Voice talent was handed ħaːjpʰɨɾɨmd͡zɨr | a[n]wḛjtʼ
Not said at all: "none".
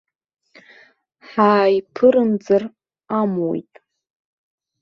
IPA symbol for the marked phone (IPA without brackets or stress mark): m